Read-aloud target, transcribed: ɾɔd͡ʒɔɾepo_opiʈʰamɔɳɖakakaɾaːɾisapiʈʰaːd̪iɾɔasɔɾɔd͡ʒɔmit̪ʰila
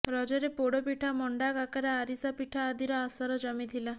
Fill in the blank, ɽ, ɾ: ɽ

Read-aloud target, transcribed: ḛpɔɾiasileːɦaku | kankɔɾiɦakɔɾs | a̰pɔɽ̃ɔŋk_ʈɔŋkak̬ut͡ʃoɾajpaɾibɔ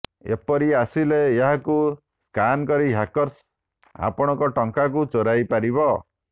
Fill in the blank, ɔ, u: ɔ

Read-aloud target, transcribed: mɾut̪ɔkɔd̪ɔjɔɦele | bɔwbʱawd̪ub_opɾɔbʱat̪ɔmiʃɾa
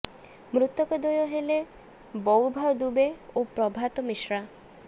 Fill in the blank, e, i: e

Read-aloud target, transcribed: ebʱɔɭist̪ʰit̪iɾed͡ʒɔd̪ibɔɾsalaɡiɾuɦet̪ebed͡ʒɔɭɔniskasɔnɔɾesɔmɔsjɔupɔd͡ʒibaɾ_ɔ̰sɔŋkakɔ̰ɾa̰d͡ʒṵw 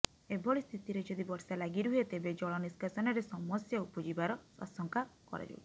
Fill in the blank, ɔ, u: ɔ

